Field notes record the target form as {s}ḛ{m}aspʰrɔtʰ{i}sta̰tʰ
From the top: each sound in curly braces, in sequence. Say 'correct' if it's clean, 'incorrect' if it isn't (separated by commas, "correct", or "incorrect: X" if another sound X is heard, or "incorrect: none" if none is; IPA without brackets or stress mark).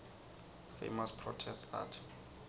incorrect: f, correct, incorrect: ɛ